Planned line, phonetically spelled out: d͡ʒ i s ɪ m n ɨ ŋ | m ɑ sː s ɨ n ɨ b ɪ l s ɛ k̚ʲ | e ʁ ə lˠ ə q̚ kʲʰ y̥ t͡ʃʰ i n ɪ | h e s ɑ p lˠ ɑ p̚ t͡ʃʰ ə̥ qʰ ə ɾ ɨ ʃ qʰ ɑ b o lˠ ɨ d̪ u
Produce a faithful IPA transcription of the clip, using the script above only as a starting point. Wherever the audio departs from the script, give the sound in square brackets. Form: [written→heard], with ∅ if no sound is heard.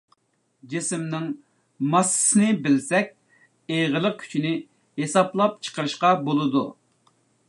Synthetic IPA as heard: d͡ʒ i s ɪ m n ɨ ŋ | m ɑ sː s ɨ n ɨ b ɪ l s ɛ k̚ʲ | e ʁ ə lˠ ə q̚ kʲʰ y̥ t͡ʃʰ i n ɪ | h e s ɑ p lˠ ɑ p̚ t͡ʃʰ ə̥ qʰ ə ɾ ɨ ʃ [qʰ→q] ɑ b o lˠ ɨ d̪ u